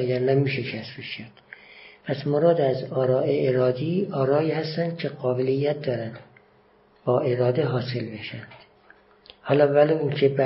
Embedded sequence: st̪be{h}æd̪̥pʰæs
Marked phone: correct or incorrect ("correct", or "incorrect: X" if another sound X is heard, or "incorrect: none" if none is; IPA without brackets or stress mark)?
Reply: incorrect: ʃ